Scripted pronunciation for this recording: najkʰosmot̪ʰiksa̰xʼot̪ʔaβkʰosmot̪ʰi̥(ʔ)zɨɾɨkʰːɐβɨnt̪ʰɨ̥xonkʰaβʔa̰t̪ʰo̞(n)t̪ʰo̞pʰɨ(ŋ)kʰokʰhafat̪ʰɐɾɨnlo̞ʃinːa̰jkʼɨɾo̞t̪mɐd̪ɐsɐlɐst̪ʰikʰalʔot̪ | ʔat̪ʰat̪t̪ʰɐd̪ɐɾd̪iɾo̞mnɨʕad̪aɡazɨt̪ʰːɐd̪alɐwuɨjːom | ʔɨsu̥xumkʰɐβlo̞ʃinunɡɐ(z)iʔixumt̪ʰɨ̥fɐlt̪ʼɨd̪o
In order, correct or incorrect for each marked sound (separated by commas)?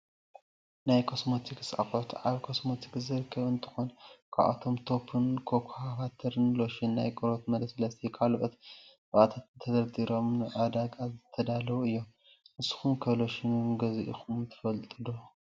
incorrect, incorrect, incorrect, correct